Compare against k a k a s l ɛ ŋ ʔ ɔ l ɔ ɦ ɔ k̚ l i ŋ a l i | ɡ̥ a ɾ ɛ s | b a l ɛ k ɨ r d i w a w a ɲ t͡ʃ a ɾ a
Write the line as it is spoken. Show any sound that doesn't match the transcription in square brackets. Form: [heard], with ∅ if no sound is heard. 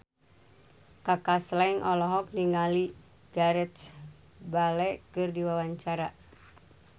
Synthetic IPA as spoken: k a k a s l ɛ ŋ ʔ ɔ l ɔ ɦ ɔ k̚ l i ŋ a l i | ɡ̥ a ɾ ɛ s | b a l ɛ k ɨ r d i w a w a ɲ t͡ʃ a ɾ a